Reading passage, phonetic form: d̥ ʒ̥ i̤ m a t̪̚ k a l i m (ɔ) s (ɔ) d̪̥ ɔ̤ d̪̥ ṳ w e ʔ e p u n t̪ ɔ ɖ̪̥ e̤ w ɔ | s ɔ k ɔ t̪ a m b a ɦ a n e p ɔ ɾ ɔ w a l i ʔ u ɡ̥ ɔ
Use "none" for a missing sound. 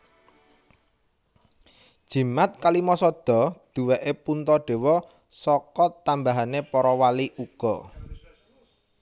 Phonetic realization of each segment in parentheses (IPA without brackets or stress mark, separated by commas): ɔ, ɔ